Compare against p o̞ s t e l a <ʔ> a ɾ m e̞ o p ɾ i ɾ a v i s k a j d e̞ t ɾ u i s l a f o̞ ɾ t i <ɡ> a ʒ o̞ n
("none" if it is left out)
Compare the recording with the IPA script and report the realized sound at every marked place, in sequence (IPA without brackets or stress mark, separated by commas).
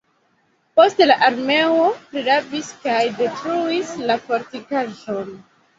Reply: ʔ, k